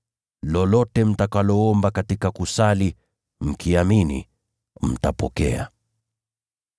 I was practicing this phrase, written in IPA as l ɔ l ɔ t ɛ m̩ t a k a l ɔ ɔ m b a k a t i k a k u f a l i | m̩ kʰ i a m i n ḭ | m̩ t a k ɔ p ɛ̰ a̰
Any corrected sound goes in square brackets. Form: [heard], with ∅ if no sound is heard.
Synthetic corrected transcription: l ɔ l ɔ t ɛ m̩ t a k a l ɔ ɔ m b a k a t i k a k u [s] a l i | m̩ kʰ i a m i n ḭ | m̩ t a [p] ɔ [k] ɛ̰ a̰